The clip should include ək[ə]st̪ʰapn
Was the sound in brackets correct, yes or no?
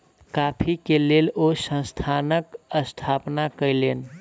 yes